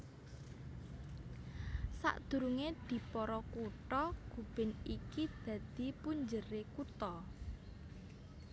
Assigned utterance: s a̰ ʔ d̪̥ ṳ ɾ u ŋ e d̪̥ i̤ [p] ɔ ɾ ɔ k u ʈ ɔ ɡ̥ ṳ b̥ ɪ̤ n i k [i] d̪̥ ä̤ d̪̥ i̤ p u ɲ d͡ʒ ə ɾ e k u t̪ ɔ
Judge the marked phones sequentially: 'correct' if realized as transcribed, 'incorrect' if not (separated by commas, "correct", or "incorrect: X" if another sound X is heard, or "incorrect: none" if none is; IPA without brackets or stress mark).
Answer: correct, correct